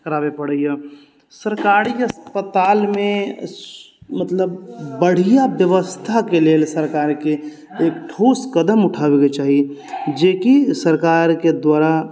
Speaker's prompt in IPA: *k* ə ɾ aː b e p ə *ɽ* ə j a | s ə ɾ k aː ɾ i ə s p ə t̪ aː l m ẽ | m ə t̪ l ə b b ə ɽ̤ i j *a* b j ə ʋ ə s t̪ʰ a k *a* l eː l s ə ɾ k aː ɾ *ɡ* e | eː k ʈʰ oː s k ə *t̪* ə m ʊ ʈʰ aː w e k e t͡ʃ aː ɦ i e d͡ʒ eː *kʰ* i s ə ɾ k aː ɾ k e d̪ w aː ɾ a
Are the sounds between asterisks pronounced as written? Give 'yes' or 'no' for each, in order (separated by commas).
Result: yes, yes, yes, no, no, no, no